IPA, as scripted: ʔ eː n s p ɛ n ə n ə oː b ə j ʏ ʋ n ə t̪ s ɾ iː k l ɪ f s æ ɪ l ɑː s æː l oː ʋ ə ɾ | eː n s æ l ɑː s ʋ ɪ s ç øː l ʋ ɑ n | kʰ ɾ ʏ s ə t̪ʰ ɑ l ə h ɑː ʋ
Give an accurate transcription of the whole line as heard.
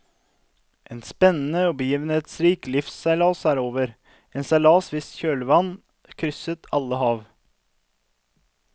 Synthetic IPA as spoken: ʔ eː n s p ɛ n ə n ə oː b ə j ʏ ʋ n ə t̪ s ɾ iː k l ɪ f s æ ɪ l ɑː s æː ɾ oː ʋ ə ɾ | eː n s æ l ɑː s ʋ ɪ s ç øː l ʋ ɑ n | kʰ ɾ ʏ s ə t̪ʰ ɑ l ə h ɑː ʋ